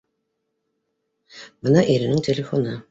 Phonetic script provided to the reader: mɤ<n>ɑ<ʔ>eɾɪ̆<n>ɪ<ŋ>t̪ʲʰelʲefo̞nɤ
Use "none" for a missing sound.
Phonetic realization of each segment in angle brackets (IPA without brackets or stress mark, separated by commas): n, ʔ, n, ŋ